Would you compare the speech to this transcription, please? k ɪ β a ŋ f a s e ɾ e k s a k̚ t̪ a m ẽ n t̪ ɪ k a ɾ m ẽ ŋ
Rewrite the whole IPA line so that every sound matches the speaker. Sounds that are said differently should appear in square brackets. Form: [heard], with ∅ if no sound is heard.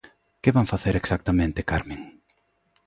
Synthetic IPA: k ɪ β a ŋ f a [θ] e ɾ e k s a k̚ t̪ a m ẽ n t̪ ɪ k a ɾ m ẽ ŋ